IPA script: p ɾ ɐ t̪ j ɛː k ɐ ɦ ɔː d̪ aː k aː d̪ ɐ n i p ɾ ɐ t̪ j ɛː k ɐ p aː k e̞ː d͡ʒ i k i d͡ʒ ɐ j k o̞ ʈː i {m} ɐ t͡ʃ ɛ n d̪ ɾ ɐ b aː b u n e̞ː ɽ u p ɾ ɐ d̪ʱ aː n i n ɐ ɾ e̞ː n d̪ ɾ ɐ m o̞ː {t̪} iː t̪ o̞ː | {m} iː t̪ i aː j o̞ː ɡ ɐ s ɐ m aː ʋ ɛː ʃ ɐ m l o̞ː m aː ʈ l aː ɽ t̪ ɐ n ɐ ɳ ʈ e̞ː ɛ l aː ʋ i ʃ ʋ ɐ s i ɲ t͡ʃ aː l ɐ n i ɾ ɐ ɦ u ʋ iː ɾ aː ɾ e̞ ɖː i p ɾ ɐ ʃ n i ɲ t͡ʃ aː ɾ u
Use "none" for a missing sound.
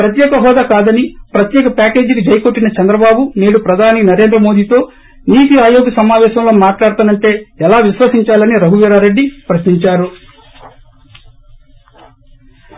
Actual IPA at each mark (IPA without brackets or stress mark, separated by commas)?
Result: n, d̪, n